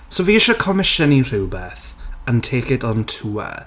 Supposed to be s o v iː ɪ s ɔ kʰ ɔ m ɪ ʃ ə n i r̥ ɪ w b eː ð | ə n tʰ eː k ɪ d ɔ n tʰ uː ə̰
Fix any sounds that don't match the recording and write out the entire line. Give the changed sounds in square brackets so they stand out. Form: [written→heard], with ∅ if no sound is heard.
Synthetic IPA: s o v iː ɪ [s→ʃ] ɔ kʰ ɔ m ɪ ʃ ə n i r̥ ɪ w b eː [ð→θ] | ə n tʰ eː k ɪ d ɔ n tʰ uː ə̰